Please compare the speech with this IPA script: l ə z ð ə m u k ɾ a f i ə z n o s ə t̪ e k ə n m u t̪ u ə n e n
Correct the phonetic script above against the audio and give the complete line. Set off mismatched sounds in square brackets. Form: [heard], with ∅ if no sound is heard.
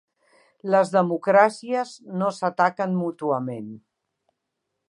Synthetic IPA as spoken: l ə z ð ə m u k ɾ a [s] i ə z n o s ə t̪ [a] k ə n m u t̪ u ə [m] e n